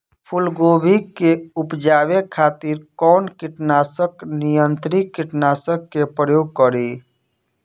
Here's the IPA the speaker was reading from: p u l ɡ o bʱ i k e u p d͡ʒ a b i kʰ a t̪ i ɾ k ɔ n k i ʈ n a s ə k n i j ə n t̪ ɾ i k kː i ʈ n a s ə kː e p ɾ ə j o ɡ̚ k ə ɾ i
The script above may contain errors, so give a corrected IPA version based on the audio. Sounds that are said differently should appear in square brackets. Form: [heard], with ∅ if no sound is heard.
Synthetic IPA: [pʰ] u l ɡ o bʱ i k e u p d͡ʒ a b [e] kʰ a t̪ i ɾ k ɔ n k i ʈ n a s ə k n i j ə n t̪ ɾ i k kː i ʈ n a s ə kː e p ɾ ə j o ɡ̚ k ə ɾ i